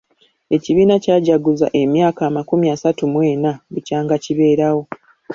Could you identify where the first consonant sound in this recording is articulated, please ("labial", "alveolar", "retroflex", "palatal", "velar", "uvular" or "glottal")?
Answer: palatal